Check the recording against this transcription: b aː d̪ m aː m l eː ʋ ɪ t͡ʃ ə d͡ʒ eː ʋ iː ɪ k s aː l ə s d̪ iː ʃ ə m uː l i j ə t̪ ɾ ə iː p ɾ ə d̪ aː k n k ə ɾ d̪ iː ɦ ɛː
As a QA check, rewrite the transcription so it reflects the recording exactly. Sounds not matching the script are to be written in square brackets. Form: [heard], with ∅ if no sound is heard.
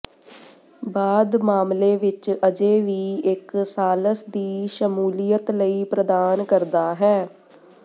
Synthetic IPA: b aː d̪ m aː m l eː ʋ ɪ t͡ʃ ə d͡ʒ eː ʋ iː ɪ k s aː l ə s d̪ iː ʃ ə m uː l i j ə t̪ [l] ə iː p ɾ ə d̪ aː [∅] n k ə ɾ d̪ [aː] ɦ ɛː